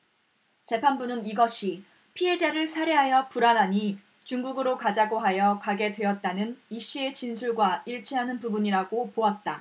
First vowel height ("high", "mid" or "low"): mid